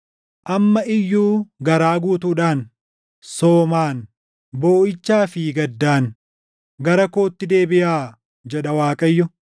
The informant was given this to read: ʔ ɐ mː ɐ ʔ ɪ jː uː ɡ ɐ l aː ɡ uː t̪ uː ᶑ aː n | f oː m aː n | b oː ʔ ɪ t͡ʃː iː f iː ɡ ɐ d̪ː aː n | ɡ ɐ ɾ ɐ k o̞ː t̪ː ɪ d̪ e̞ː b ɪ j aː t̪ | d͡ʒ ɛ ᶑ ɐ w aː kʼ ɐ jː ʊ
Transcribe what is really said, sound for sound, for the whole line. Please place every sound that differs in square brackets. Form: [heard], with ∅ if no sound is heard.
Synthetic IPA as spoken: ʔ ɐ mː ɐ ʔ ɪ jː uː ɡ ɐ [ɾ] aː ɡ uː t̪ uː ᶑ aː n | [s] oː m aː n | b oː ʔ ɪ t͡ʃː [aː] f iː ɡ ɐ d̪ː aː n | ɡ ɐ ɾ ɐ k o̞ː t̪ː ɪ d̪ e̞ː b ɪ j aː [∅] | d͡ʒ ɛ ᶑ ɐ w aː kʼ ɐ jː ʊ